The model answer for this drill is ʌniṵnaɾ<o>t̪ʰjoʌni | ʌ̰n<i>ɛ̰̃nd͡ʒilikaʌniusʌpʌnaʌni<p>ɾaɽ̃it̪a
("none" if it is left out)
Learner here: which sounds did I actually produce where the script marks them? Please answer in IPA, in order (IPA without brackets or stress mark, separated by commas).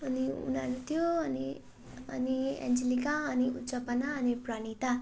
u, i, p